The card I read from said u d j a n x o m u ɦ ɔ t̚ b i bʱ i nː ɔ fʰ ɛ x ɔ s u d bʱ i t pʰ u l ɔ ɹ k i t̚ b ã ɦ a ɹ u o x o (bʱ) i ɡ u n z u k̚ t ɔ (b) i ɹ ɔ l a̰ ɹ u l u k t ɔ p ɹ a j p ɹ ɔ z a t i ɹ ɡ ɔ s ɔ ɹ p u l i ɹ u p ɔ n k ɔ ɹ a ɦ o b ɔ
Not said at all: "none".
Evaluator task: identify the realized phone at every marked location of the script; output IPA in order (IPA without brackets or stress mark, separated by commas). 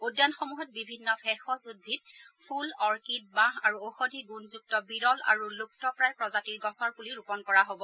dʱ, b